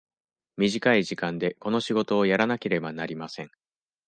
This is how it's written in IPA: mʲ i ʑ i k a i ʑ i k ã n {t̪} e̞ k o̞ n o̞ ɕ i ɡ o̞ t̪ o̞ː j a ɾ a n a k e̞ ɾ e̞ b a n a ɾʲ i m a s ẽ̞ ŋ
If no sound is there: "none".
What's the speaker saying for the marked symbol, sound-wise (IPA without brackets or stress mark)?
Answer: d̪